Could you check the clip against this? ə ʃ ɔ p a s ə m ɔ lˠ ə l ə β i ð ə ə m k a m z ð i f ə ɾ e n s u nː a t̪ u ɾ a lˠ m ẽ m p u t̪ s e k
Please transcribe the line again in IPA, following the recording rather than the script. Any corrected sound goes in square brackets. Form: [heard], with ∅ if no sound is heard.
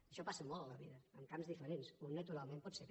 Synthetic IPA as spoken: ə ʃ ɔ p a s ə m ɔ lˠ ə l ə β i ð ə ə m k a m z ð i f ə ɾ e n s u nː [ə] t̪ u ɾ a lˠ m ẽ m p [ɔ] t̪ s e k